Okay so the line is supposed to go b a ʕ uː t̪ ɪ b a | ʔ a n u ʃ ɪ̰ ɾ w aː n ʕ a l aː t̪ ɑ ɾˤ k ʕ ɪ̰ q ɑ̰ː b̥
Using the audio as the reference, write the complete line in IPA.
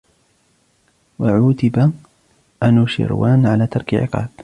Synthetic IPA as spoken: w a ʕ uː t̪ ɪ b a | ʔ a n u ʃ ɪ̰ ɾ w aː n ʕ a l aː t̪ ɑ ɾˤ k ʕ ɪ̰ q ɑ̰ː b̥

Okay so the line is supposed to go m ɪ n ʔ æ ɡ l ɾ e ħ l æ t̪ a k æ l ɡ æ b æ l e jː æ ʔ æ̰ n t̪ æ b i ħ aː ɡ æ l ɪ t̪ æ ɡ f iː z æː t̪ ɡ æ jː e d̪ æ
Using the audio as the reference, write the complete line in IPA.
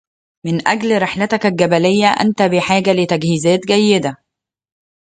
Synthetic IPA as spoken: m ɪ n ʔ æ ɡ l ɾ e ħ l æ t̪ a k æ l ɡ æ b æ l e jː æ ʔ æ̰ n t̪ æ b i ħ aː ɡ æ l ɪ t̪ æ ɡ h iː z æː t̪ ɡ æ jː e d̪ æ

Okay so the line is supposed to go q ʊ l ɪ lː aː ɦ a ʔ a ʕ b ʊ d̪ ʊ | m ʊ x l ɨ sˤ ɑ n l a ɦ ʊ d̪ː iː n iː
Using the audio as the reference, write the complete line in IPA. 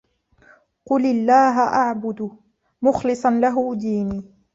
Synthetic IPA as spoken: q ʊ l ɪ lː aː ɦ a ʔ a ʕ b ʊ d̪ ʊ | m ʊ x l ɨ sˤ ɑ n l a ɦ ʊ d̪ iː n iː

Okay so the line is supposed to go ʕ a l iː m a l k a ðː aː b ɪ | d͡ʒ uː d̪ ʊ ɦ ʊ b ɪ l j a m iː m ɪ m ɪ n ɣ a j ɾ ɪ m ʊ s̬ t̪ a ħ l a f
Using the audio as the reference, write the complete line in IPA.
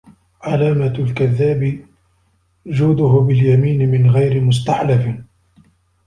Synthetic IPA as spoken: ʕ a l aː m a l k a ðː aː b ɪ | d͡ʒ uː d̪ ʊ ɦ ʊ b ɪ l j a m iː n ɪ m ɪ n ɣ a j ɾ ɪ m ʊ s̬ t̪ a ħ l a f

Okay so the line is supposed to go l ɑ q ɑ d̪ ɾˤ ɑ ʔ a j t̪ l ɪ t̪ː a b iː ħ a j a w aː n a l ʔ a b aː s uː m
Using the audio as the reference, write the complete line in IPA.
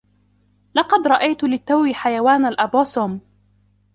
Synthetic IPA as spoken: l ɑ q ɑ d̪ ɾˤ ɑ ʔ a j t̪ l ɪ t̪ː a w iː ħ a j a w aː n a l ʔ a b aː s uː m

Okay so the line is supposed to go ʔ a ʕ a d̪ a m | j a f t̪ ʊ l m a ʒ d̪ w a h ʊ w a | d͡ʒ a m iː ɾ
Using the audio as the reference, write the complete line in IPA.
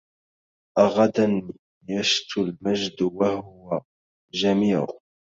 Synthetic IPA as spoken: ʔ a ɣ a d̪ a n | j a ʃ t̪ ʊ l m a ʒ d̪ w a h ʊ w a | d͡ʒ a m iː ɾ

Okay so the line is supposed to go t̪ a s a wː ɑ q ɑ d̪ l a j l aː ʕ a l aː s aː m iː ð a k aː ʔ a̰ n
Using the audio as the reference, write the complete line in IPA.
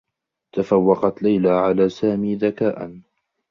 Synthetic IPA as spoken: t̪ a f a wː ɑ q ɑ t̪ l a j l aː ʕ a l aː s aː m iː ð a k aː ʔ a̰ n

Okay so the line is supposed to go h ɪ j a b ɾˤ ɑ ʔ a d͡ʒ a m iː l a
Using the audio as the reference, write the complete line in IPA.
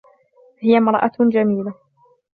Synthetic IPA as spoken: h ɪ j a m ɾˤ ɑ ʔ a d͡ʒ a m iː l a

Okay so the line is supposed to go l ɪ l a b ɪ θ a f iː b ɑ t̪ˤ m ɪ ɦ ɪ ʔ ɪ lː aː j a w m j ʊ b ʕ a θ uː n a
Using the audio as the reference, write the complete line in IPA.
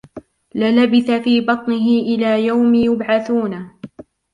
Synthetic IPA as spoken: l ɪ l a b ɪ θ a f iː b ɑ t̪ˤ n ɪ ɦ ɪ ʔ ɪ l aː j a w m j ʊ b ʕ a θ uː n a

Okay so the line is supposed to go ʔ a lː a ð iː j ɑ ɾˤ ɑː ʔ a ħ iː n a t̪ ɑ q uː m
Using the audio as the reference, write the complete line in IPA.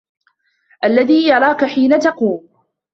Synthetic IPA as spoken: ʔ a lː a ð iː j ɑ ɾˤ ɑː k a ħ iː n a t̪ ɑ q uː m

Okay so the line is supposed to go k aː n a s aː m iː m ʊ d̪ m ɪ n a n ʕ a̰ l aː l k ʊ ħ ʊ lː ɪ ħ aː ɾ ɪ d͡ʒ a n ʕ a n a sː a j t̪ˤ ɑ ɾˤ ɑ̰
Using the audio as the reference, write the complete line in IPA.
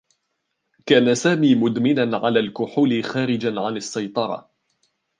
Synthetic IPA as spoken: k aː n a s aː m iː m ʊ d̪ m ɪ n a n ʕ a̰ l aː l k ʊ ħ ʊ l ɪ x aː ɾ ɪ d͡ʒ a n ʕ a n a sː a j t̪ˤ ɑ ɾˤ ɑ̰

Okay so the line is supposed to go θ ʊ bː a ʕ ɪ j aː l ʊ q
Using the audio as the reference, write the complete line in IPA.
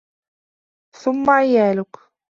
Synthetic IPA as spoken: θ ʊ mː a ʕ ɪ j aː l ʊ k

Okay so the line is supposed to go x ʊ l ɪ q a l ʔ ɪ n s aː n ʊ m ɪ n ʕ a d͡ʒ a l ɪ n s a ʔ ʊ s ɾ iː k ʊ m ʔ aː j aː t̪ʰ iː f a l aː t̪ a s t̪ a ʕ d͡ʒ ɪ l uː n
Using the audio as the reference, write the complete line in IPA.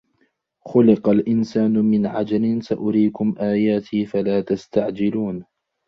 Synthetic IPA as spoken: x ʊ l ɪ q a l ʔ ɪ n s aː n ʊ m ɪ n ʕ a d͡ʒ a l ɪ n s a ʔ ʊ ɾ iː k ʊ m ʔ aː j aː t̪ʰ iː f a l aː t̪ a s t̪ a ʕ d͡ʒ ɪ l uː n

